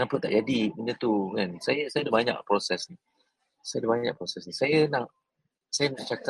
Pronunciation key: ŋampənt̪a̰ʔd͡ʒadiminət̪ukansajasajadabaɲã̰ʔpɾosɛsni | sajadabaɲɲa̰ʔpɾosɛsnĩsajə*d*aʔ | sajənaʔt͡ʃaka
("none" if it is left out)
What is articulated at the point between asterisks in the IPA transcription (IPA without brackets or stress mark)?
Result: n